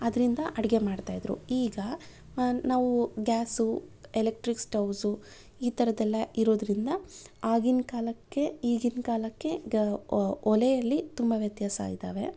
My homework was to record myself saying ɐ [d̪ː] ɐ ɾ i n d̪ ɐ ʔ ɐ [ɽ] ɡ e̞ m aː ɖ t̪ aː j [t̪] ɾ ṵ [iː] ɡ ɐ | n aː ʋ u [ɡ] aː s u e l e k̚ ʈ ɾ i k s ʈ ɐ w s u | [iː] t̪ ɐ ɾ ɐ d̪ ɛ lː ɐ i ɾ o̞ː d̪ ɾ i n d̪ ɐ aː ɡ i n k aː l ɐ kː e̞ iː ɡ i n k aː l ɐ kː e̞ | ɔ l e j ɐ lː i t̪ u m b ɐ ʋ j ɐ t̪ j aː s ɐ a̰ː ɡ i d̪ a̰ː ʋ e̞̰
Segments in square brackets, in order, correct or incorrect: incorrect: d̪, correct, incorrect: d̪, correct, correct, correct

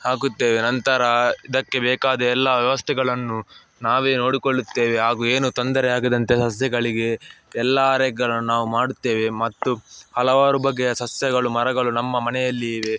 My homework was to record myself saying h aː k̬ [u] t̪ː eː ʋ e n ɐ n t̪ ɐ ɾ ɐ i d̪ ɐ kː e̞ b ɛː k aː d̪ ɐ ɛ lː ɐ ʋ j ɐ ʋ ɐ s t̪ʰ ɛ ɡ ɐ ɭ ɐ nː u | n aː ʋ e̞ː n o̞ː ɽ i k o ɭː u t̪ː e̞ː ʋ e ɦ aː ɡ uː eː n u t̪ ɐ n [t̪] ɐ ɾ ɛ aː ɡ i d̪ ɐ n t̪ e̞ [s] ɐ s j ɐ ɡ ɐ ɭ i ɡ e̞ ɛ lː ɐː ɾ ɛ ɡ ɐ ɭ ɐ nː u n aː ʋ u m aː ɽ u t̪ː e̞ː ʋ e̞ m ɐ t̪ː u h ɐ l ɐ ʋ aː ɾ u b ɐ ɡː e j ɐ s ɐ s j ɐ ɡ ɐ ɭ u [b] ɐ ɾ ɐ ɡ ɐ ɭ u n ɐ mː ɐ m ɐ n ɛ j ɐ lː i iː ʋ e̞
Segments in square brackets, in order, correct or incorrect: correct, incorrect: d̪, correct, incorrect: m

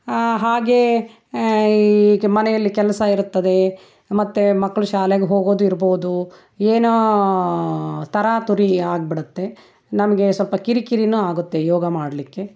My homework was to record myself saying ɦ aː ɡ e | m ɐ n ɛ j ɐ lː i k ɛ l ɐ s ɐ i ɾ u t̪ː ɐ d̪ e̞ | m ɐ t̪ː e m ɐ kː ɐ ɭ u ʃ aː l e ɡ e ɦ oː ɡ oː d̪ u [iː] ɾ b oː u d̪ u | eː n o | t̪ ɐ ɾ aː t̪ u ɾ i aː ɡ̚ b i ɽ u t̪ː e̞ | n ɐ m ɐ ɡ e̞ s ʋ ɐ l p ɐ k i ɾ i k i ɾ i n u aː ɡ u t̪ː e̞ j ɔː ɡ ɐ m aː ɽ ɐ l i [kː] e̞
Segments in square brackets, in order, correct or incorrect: incorrect: i, correct

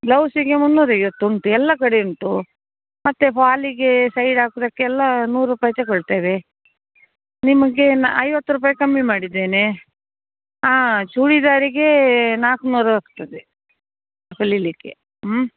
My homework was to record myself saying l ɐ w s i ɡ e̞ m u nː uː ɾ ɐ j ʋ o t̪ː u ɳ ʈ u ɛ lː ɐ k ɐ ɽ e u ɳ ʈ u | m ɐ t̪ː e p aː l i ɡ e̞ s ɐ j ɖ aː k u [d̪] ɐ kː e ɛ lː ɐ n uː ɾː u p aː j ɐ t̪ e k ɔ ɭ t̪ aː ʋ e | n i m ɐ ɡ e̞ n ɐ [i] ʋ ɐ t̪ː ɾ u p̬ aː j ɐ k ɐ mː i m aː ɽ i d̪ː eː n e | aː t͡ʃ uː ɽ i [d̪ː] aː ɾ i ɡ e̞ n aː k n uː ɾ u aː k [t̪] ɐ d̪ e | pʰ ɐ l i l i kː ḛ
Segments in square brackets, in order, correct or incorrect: correct, incorrect: j, incorrect: d̪, correct

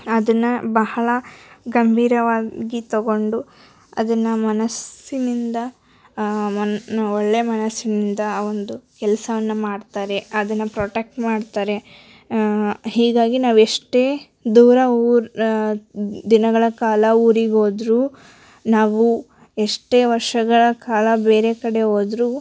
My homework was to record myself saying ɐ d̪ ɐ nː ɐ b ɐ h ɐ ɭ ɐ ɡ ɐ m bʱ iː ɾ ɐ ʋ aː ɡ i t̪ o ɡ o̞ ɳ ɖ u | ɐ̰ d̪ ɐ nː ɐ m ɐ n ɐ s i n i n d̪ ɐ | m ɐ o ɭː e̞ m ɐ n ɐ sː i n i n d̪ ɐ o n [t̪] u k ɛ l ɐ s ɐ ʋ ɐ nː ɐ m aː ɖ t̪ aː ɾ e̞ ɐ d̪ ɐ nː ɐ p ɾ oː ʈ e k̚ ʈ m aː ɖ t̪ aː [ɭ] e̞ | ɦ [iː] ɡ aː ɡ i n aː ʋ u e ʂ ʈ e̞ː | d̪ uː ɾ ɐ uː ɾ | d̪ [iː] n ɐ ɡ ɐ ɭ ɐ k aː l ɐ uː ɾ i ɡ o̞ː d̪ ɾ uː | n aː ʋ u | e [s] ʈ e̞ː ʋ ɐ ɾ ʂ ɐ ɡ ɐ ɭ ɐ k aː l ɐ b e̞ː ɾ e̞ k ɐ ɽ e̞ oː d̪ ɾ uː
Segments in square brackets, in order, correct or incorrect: incorrect: d̪, incorrect: ɾ, correct, incorrect: i, incorrect: ʂ

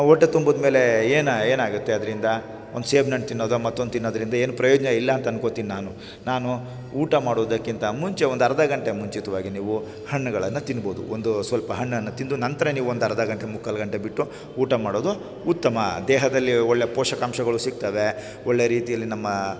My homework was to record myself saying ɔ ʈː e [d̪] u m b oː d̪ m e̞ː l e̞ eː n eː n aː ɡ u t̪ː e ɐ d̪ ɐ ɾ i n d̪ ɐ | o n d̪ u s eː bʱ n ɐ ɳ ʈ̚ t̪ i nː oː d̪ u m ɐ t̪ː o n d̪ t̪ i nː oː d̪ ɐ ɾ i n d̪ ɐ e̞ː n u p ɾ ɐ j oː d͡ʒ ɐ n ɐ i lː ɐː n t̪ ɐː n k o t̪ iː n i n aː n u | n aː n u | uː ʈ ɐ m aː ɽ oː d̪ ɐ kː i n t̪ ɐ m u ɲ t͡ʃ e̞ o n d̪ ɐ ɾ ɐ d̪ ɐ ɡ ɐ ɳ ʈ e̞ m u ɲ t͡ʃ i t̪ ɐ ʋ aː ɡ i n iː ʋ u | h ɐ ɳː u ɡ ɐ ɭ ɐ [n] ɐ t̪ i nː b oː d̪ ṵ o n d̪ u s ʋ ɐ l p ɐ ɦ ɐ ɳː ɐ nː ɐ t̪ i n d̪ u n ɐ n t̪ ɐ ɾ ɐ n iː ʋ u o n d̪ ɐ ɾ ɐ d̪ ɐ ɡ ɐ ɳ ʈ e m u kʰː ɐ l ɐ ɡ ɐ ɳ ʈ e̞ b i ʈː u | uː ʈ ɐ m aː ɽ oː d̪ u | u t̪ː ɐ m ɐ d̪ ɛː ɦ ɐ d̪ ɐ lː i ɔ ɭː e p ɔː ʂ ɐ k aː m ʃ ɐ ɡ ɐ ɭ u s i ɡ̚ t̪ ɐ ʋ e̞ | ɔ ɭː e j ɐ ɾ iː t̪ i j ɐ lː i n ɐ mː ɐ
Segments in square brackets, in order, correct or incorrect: incorrect: t̪, incorrect: nː

